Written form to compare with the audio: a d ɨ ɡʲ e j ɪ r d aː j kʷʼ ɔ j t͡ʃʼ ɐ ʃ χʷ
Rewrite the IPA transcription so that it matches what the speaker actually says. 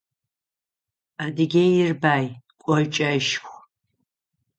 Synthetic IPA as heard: a d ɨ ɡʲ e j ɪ r b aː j kʷʼ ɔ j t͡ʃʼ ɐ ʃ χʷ